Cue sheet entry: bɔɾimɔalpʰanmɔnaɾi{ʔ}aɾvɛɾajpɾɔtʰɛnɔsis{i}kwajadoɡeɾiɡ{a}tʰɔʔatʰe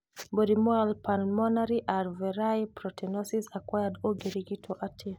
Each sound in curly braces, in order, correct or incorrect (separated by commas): correct, incorrect, incorrect